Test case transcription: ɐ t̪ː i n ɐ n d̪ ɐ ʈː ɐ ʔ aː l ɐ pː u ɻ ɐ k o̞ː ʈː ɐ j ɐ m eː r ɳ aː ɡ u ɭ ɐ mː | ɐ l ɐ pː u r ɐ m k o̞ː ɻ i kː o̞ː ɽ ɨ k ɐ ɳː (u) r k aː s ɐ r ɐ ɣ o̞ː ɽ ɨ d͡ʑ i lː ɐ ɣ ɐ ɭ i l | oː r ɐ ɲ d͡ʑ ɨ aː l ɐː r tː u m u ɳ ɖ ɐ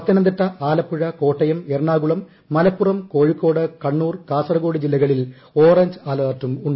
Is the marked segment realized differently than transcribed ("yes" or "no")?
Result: yes